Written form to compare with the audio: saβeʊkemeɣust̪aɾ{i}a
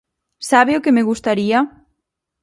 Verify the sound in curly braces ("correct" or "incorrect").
correct